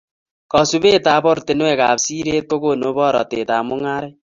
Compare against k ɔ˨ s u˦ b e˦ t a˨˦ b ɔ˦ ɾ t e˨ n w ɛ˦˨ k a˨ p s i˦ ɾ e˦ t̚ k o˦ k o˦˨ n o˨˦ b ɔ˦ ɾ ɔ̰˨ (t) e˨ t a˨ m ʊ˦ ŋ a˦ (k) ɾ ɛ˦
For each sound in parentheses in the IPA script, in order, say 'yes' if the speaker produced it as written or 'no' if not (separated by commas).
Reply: yes, no